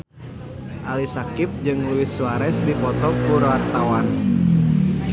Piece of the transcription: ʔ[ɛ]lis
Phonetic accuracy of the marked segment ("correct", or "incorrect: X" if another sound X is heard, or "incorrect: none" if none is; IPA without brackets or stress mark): incorrect: a